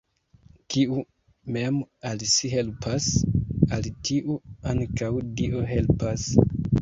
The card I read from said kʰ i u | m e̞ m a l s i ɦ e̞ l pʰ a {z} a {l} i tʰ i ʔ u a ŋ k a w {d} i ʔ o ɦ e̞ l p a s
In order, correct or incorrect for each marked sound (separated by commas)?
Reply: incorrect, correct, correct